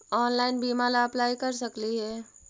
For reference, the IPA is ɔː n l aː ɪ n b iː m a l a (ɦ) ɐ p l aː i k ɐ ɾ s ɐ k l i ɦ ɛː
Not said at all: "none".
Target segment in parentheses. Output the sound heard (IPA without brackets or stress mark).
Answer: none